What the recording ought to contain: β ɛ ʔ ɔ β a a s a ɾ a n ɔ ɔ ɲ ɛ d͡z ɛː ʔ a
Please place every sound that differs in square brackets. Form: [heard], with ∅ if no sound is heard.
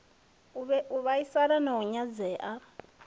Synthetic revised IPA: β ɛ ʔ [u] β a [i] s a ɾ a n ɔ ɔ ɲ [a] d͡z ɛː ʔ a